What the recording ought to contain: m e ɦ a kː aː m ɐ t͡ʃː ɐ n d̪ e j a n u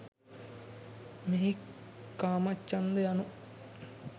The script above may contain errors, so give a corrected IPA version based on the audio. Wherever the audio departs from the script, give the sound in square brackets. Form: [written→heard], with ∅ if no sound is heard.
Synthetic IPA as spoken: m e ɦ [a→i] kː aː m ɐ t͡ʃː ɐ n d̪ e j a n u